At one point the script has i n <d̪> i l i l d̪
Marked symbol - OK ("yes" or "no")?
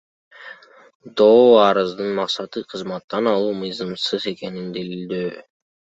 yes